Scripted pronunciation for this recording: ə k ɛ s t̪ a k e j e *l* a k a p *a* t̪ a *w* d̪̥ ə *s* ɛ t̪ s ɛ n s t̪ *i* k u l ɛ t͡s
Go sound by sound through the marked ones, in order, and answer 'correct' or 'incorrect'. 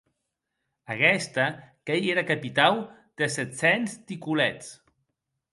incorrect: ɾ, incorrect: i, correct, correct, correct

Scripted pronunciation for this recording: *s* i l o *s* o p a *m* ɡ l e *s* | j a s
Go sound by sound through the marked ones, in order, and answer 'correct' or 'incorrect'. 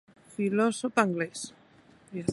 incorrect: f, correct, incorrect: ŋ, correct

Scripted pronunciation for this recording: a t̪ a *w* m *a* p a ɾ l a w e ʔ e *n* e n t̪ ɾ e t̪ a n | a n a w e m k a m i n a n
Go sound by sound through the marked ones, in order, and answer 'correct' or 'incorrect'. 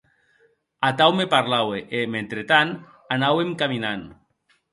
correct, incorrect: e, incorrect: m

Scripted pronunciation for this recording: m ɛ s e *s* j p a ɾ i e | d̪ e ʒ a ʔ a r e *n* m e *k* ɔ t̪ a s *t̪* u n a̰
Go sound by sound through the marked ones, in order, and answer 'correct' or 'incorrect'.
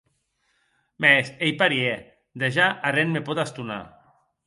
incorrect: none, correct, incorrect: p, correct

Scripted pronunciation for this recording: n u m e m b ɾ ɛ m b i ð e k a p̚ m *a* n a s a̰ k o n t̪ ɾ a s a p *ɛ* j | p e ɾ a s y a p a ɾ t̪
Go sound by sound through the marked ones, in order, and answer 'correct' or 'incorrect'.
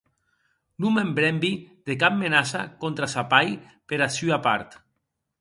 incorrect: e, incorrect: a

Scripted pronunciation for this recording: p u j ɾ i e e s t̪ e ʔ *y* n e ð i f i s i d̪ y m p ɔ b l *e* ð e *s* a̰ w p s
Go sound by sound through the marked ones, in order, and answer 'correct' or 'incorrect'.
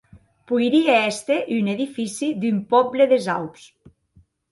correct, correct, incorrect: z

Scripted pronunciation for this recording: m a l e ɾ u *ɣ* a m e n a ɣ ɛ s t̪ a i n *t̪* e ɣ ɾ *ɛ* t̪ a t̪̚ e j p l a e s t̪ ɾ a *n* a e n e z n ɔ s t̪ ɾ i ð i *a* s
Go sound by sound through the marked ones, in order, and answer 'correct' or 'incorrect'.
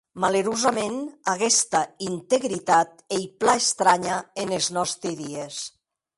incorrect: z, correct, incorrect: i, incorrect: ɲ, incorrect: e

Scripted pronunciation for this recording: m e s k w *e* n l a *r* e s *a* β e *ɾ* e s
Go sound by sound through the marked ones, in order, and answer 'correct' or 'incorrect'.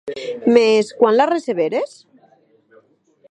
incorrect: a, correct, incorrect: e, correct

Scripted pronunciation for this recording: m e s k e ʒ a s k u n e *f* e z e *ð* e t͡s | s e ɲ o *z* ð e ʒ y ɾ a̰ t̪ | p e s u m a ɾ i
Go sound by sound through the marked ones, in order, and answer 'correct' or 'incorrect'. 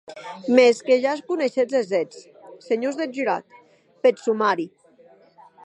incorrect: ʃ, incorrect: z, correct

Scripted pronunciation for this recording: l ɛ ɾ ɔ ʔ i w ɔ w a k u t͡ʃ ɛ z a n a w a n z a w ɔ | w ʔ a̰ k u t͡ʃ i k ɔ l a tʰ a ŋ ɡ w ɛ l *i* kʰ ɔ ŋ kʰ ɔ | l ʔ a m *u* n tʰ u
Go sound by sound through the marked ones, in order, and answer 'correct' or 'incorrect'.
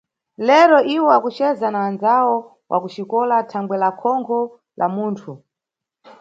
incorrect: a, incorrect: uː

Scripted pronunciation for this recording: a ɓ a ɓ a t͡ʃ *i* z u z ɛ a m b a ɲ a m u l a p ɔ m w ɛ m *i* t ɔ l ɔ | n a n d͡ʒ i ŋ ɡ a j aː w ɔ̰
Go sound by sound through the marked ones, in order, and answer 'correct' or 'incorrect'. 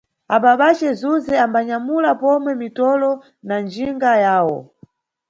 incorrect: ɛ, correct

